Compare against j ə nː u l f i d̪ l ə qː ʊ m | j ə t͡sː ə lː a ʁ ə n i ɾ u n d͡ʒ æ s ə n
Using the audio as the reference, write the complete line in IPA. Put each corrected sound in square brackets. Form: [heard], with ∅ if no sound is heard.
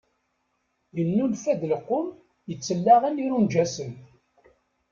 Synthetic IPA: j ə nː u l f [æ] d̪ l ə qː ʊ m | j ə t͡sː ə lː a ʁ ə n i ɾ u n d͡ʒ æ s ə n